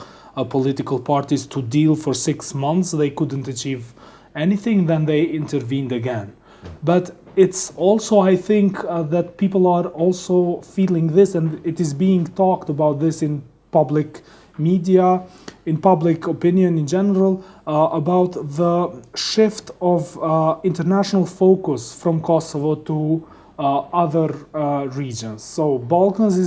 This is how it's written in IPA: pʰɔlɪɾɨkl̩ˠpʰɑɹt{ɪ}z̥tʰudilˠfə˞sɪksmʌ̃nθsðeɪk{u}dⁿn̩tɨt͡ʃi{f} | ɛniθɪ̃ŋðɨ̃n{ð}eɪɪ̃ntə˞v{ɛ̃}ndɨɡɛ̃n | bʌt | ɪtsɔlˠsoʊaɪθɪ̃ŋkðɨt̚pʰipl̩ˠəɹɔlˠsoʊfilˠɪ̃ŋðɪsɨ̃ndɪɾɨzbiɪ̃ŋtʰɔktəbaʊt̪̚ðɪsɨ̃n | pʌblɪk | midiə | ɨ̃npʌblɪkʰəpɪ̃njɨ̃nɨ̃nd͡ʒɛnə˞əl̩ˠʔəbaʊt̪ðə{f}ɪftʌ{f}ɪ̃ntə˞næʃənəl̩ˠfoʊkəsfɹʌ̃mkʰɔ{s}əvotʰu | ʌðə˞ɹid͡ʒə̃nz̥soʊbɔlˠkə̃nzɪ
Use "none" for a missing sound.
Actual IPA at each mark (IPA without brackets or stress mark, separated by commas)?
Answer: i, ʊ, v, ð, ĩ, ʃ, v, s